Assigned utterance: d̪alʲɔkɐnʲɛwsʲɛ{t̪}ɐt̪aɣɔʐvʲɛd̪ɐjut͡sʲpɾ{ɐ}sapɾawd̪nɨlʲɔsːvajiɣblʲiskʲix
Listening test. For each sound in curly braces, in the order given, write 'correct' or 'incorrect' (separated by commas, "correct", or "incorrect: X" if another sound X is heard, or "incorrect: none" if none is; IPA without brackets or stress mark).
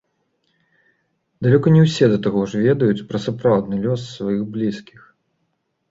incorrect: d̪, correct